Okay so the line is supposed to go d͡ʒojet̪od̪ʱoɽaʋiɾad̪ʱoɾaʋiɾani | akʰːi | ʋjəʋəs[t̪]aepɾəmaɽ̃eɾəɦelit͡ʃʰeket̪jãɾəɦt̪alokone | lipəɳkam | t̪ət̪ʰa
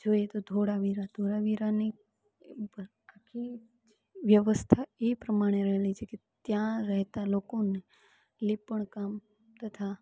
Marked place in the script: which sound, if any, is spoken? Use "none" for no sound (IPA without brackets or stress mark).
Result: t̪ʰ